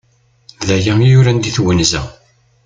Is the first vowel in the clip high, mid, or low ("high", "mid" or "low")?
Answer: low